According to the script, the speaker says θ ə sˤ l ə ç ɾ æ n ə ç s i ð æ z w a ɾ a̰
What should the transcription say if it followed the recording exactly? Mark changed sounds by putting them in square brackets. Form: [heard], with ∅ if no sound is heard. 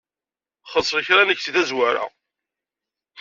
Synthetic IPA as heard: [χ] ə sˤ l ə ç ɾ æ n ə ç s i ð æ z w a ɾ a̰